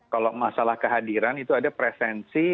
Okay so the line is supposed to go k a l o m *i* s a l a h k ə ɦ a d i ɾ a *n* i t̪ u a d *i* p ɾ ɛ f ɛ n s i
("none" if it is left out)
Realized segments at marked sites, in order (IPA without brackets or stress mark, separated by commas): a, n, a